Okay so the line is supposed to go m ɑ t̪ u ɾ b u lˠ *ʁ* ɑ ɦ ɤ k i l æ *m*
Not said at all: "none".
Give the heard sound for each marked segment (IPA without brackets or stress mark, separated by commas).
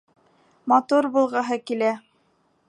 ʁ, none